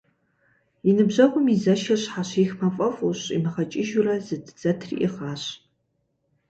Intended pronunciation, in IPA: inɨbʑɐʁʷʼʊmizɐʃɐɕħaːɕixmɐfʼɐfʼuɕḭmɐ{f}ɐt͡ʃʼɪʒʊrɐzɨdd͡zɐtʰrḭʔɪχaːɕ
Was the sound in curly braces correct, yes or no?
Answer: no